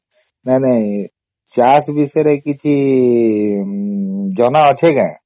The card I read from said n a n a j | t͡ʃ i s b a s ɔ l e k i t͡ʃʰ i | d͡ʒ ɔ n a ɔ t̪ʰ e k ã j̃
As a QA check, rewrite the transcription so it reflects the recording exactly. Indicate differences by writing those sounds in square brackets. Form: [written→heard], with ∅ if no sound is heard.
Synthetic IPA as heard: n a n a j | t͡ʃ [i→a] s b [a→i] s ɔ [l→ɾ] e k i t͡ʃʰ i | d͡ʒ ɔ n a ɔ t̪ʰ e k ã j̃